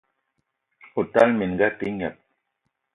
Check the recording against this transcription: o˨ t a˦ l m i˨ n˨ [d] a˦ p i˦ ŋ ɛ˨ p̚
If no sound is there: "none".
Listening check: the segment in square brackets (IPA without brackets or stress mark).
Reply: ɡ